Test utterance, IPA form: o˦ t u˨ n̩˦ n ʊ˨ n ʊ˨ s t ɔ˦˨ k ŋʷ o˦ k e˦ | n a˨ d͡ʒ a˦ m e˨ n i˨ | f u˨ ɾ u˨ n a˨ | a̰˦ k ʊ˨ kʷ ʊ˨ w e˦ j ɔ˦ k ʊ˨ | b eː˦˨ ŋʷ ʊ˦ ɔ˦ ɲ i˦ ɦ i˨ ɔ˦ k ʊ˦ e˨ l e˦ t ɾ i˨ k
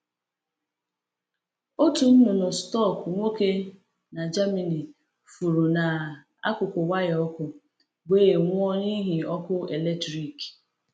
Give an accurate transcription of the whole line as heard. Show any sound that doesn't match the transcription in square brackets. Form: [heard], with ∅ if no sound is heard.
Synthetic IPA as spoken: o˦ t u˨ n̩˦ n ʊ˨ n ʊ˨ s t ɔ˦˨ k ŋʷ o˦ k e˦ | n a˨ d͡ʒ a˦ m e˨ n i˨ | f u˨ ɾ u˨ n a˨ | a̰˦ k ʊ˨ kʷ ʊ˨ w [a˦] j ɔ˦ k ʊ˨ | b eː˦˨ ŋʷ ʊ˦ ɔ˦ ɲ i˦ ɦ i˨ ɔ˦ k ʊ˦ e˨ l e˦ t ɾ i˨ k